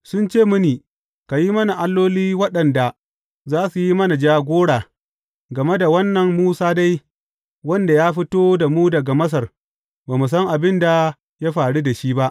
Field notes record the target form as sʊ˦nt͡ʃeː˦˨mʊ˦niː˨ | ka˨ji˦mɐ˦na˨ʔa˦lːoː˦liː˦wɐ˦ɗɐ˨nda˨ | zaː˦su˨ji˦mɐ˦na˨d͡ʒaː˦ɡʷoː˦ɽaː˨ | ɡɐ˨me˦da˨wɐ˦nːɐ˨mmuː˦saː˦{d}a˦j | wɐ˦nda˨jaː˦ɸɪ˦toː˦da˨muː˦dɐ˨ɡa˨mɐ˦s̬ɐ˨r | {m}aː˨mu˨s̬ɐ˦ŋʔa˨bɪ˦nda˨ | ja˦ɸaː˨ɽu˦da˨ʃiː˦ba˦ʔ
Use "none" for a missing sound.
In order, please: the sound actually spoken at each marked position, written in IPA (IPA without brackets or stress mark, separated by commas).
d, b